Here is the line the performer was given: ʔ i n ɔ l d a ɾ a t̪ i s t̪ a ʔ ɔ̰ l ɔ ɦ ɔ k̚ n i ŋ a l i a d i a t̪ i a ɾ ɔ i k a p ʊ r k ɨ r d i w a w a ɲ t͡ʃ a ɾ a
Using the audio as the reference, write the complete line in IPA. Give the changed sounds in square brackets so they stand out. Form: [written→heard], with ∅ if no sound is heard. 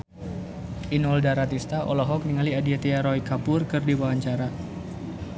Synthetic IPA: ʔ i n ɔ l d a ɾ a t̪ i s t̪ a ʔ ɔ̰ l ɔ ɦ ɔ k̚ n i ŋ a l i a d i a t̪ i a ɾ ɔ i k a p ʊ r k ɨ r d i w a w a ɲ t͡ʃ a ɾ a

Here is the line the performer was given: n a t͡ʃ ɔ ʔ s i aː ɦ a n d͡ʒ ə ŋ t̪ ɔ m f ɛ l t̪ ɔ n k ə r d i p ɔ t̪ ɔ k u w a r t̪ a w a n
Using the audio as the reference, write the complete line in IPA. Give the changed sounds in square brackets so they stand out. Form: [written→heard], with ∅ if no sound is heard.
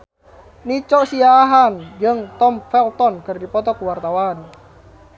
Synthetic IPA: n [a→i] t͡ʃ ɔ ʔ s i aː ɦ a n d͡ʒ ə ŋ t̪ ɔ m f ɛ l t̪ ɔ n k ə r d i p ɔ t̪ ɔ k u w a r t̪ a w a n

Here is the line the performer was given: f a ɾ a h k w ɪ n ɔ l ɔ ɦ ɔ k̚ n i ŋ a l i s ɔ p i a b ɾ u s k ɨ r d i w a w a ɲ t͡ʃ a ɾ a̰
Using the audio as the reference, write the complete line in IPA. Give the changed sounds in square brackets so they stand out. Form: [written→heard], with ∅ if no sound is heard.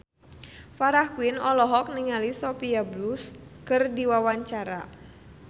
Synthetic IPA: f a ɾ a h k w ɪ n ɔ l ɔ ɦ ɔ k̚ n i ŋ a l i s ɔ p i a b [ɾ→l] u s k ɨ r d i w a w a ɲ t͡ʃ a ɾ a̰

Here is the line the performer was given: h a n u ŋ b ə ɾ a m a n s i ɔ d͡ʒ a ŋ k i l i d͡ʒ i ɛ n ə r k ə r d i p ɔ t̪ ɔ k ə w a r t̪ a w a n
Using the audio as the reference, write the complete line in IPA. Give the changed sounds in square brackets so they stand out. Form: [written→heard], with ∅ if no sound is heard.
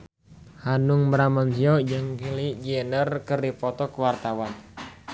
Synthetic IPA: h a n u ŋ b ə ɾ a m a n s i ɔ d͡ʒ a ŋ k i l i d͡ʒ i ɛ n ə r k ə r d i p ɔ t̪ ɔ k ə w a r t̪ a w a n

